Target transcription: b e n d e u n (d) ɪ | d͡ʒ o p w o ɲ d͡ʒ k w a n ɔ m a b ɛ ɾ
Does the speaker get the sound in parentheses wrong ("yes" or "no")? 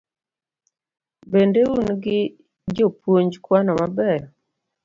yes